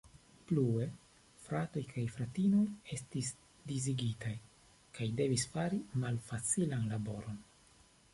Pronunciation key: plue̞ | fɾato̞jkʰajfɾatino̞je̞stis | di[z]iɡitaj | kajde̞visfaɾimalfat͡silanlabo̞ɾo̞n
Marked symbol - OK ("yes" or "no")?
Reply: yes